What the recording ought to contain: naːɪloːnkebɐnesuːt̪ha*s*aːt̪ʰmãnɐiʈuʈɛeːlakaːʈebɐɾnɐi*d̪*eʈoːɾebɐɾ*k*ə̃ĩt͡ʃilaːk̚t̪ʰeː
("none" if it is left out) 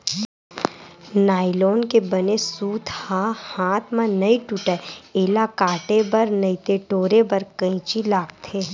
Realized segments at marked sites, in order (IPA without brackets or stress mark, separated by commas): h, t̪, k